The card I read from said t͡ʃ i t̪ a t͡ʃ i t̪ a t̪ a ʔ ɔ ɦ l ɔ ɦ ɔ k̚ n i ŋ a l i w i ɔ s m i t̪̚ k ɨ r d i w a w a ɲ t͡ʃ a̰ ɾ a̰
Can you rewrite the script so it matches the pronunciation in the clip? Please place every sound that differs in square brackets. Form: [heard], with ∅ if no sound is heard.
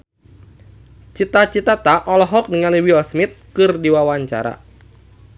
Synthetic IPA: t͡ʃ i t̪ a t͡ʃ i t̪ a t̪ a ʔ ɔ [∅] l ɔ ɦ ɔ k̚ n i ŋ a l i w i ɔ s m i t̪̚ k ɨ r d i w a w a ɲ t͡ʃ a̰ ɾ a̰

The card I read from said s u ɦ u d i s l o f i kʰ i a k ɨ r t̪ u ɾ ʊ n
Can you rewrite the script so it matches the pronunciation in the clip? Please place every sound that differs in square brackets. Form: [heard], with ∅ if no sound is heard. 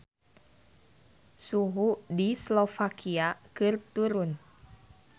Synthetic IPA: s u ɦ u d i s l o f [a] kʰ i a k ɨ r t̪ u ɾ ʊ n

